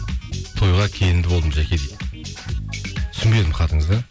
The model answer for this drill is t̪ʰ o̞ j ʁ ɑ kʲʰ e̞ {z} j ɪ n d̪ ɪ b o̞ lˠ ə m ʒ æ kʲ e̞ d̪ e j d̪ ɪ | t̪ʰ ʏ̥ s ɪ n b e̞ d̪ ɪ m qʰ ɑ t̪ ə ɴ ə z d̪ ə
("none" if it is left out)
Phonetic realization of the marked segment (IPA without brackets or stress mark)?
none